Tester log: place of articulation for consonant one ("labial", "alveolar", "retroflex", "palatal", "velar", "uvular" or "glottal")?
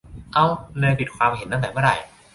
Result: glottal